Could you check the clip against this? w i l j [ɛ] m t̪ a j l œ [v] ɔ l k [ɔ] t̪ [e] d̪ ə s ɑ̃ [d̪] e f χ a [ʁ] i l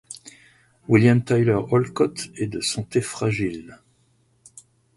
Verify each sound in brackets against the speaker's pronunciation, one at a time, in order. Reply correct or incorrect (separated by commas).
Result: incorrect, incorrect, correct, incorrect, incorrect, incorrect